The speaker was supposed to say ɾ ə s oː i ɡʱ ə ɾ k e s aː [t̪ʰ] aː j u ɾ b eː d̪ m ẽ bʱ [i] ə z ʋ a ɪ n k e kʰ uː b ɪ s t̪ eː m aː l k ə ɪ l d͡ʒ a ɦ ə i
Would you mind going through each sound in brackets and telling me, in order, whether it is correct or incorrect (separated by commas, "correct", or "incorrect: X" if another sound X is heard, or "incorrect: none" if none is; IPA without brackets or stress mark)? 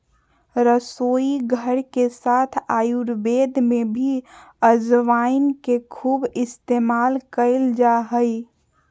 correct, correct